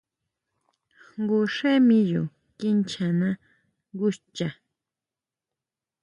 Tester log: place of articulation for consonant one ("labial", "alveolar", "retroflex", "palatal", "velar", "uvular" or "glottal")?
velar